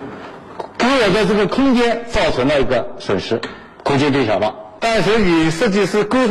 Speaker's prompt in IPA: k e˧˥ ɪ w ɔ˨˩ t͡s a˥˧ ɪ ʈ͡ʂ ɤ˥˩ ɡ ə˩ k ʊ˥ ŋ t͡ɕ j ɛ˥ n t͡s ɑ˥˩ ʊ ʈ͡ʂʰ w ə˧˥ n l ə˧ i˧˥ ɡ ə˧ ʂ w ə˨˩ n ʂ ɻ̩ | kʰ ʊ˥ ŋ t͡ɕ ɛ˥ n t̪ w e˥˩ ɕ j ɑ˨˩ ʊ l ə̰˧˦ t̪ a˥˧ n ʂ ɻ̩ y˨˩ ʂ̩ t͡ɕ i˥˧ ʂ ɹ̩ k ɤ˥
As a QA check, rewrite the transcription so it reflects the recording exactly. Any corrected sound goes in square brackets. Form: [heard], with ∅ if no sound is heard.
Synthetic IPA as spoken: k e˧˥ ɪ w ɔ˨˩ t͡s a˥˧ ɪ ʈ͡ʂ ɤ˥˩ ɡ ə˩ [kʰ] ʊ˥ ŋ t͡ɕ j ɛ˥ n t͡s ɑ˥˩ ʊ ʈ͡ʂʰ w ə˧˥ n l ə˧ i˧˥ ɡ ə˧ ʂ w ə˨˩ n ʂ ɻ̩ | kʰ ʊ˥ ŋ t͡ɕ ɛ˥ n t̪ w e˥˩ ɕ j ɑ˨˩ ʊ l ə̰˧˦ t̪ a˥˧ n ʂ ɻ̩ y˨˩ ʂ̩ t͡ɕ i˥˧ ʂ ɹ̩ k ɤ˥